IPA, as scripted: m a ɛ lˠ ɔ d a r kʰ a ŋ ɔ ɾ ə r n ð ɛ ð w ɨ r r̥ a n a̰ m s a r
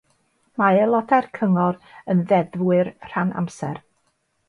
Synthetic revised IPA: m a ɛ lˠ ɔ d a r kʰ ə ŋ ɔ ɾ ə n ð ɛ ð w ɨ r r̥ a n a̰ m s ɛ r